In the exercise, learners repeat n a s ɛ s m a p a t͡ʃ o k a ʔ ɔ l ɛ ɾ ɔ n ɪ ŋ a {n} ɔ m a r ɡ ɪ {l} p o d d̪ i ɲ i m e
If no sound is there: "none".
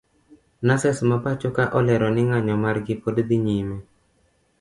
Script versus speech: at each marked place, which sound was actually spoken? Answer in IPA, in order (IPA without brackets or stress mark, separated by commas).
ɲ, none